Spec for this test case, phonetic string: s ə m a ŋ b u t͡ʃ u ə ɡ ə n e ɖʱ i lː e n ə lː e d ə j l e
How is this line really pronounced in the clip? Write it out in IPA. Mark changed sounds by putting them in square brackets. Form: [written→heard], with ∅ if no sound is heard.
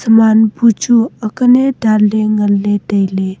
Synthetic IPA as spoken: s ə m a [ŋ→n] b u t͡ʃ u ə [ɡ→k] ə n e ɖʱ [i→a] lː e [n→ŋ] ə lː e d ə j l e